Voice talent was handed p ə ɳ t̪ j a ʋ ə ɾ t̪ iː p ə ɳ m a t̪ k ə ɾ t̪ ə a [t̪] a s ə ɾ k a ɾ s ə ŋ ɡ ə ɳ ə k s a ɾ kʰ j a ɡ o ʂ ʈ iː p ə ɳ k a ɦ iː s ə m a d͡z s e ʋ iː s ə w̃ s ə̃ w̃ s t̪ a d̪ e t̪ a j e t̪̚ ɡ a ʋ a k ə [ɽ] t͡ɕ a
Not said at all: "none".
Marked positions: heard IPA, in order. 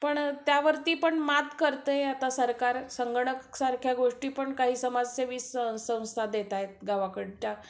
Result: t̪, ɽ

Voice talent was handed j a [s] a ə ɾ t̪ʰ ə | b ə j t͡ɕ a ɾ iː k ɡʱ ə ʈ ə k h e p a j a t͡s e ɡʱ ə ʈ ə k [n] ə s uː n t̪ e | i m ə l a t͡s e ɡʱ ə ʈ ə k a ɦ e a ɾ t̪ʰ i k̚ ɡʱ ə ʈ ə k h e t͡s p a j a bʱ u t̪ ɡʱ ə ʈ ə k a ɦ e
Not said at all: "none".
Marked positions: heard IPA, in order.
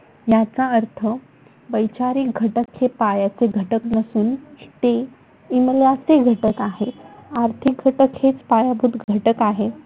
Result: t͡s, n

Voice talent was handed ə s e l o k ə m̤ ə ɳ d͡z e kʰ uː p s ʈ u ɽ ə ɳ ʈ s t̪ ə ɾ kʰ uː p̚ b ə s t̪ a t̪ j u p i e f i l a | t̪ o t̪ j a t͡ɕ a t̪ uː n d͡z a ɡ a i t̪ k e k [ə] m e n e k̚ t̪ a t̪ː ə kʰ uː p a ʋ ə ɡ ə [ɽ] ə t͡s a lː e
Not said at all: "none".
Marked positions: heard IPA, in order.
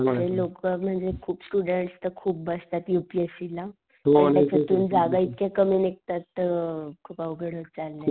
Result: ə, ɽ

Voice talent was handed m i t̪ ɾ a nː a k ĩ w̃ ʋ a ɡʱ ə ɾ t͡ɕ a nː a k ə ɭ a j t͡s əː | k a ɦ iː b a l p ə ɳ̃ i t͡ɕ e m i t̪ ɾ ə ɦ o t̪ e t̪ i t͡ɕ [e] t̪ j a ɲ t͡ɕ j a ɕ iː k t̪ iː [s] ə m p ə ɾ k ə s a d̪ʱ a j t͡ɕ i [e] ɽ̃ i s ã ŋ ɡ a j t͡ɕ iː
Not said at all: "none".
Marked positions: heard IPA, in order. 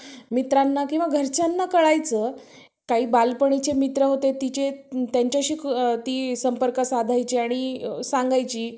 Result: e, s, a

